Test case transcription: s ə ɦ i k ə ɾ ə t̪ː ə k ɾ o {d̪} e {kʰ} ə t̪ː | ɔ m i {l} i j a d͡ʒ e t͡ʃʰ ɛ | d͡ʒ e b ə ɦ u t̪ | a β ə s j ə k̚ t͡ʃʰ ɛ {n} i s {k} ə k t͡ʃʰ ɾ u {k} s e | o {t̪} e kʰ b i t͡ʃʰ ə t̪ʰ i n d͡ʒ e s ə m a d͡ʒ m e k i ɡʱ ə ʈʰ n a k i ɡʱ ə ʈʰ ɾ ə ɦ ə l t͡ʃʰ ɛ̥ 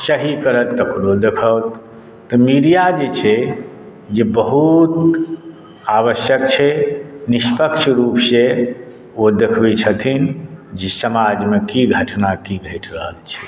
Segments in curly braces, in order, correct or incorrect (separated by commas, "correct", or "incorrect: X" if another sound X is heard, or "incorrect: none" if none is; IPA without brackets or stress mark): correct, correct, incorrect: ɾ, correct, incorrect: p, incorrect: p, incorrect: d̪